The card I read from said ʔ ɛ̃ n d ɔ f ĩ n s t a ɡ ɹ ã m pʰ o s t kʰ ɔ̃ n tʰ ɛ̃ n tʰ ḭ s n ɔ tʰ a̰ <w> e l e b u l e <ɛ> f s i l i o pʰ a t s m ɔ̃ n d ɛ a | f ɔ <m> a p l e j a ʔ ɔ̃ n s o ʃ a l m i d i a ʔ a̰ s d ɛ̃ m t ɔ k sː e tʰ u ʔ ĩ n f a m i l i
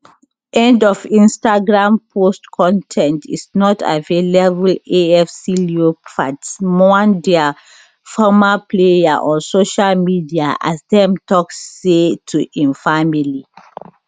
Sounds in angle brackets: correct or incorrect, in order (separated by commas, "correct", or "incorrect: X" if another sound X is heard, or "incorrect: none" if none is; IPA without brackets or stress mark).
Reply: incorrect: v, correct, correct